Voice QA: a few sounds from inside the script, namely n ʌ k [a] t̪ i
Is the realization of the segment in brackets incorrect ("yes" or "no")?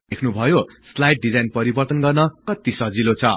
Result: yes